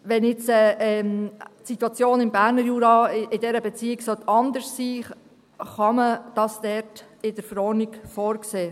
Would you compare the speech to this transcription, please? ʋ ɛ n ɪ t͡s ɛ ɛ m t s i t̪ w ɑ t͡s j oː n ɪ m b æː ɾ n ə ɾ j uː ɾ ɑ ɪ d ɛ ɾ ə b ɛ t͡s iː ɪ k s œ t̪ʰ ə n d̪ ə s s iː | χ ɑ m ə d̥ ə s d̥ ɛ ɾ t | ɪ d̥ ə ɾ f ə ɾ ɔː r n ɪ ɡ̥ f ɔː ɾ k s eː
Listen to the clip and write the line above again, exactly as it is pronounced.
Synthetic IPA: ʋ ɛ n ɪ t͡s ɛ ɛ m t s i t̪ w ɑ t͡s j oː n ɪ m b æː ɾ n ə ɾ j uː ɾ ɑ ɪ d ɛ ɾ ə b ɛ t͡s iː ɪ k s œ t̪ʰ ɑ n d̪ ə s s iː | χ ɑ m ə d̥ ɑ s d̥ ɛ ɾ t | ɪ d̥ ə ɾ f ə ɾ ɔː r n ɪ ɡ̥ f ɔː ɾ k s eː